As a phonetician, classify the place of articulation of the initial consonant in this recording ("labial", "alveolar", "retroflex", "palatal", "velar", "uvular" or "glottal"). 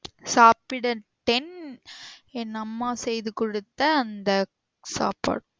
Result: alveolar